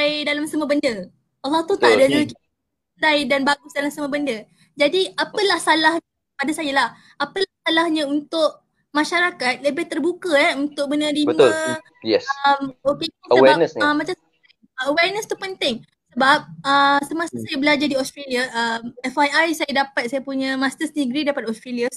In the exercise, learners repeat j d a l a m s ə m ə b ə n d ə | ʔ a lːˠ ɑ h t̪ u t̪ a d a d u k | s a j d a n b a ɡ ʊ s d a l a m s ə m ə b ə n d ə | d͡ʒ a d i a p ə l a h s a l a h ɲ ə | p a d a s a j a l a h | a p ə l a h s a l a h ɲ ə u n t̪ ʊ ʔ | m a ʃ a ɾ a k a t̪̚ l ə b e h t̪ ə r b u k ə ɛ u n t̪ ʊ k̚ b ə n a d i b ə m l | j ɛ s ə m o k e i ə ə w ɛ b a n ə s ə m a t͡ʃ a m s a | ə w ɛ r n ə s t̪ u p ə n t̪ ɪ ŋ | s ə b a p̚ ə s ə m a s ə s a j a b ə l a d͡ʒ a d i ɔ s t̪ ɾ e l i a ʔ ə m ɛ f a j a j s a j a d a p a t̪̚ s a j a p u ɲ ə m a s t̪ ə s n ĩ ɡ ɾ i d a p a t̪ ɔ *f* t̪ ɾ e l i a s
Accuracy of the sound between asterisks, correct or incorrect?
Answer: incorrect